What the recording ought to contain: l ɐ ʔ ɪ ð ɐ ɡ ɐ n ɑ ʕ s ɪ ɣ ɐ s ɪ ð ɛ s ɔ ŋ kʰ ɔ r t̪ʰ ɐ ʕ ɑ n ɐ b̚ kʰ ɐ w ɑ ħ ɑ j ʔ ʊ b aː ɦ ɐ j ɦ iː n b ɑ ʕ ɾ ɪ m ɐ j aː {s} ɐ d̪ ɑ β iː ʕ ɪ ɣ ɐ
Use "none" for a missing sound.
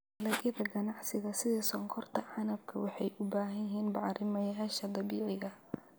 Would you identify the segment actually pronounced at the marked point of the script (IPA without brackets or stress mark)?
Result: ʃ